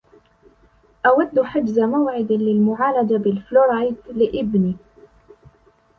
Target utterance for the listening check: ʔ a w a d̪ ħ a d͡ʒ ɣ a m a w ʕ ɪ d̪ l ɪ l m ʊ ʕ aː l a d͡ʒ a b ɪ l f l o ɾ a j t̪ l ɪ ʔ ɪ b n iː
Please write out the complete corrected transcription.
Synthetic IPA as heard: ʔ a w a d̪ː ħ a d͡ʒ z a m a w ʕ ɪ d̪ l ɪ l m ʊ ʕ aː l a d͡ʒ a b ɪ l f l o ɾ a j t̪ l ɪ ʔ ɪ b n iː